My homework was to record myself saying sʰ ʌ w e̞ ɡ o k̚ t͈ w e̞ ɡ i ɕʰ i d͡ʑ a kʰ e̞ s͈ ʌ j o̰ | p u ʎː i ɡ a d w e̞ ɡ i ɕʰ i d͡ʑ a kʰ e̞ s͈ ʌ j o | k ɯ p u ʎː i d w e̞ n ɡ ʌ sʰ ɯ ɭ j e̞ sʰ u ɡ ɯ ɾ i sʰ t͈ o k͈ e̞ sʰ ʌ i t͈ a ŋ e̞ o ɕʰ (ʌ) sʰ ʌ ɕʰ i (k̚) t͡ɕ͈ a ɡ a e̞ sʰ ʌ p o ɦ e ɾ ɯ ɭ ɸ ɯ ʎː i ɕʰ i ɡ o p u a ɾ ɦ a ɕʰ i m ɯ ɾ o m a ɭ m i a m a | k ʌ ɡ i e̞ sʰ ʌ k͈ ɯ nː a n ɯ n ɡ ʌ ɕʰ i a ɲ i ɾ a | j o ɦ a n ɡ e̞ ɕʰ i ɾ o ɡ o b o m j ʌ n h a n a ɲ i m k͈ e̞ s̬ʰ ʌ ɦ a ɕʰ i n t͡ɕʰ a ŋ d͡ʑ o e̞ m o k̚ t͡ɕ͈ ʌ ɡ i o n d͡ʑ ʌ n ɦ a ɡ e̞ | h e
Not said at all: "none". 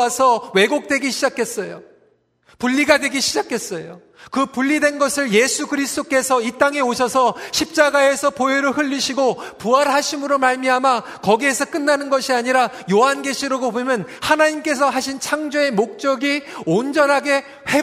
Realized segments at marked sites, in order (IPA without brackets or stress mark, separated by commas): ʌ, p̚